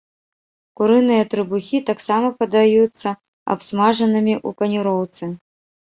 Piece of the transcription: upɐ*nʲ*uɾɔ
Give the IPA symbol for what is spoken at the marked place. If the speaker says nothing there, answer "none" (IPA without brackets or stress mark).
nʲ